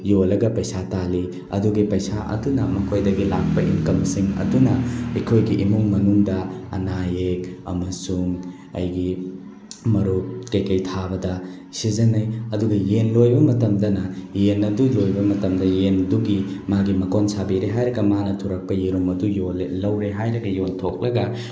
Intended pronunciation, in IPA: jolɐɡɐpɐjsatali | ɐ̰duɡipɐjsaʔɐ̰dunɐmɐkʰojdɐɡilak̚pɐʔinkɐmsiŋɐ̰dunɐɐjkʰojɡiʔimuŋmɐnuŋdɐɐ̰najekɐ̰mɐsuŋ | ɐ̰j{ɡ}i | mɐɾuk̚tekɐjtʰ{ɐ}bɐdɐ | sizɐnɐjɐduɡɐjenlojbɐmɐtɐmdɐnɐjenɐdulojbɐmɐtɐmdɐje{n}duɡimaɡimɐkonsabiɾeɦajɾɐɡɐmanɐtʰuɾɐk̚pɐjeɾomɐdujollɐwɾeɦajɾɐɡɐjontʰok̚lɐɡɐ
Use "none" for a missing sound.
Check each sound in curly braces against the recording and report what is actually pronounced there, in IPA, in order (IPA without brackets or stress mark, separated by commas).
ɡ, a, n